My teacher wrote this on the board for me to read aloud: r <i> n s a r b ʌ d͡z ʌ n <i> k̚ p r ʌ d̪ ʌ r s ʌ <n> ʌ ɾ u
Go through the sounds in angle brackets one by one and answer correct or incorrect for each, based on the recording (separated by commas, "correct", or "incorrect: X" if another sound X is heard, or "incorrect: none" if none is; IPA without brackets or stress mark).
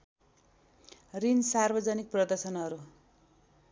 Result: correct, correct, correct